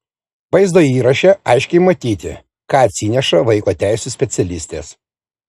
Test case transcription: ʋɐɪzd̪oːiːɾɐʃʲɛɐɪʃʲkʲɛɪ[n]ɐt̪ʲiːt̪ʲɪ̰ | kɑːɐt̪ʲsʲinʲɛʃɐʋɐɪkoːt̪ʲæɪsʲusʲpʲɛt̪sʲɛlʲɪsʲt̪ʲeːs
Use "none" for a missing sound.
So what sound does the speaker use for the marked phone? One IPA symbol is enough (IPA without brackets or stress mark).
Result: m